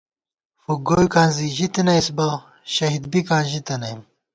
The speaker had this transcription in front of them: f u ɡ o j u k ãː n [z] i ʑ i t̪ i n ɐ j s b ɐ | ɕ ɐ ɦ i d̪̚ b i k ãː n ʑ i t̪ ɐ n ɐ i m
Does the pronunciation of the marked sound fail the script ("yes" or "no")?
no